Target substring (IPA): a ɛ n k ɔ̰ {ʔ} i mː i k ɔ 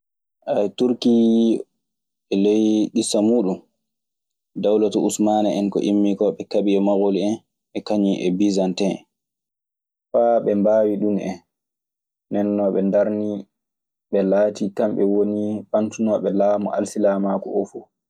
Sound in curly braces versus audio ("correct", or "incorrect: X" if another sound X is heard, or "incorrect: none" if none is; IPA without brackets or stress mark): correct